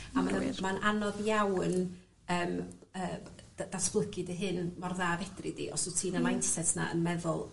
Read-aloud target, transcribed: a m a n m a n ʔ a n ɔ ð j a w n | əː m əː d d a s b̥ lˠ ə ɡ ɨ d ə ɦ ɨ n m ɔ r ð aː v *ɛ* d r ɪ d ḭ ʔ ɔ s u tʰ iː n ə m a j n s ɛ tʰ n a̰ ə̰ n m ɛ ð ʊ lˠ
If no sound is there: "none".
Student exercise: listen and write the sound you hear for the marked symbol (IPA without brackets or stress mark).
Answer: ɛ